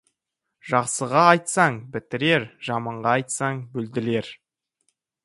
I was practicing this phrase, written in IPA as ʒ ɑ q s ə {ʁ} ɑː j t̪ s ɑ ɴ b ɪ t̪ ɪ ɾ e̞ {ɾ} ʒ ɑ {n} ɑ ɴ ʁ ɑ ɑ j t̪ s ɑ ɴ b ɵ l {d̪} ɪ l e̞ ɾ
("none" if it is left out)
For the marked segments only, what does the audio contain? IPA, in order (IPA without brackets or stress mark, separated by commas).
ʁ, ɾ, m, d̪